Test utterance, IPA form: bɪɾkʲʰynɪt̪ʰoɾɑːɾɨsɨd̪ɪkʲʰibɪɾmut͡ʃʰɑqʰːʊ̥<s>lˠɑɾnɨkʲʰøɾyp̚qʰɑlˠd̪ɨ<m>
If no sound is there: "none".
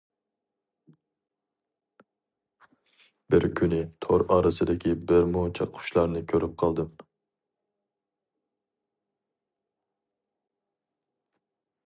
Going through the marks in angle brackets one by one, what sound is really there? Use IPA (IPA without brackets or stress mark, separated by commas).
ʃ, m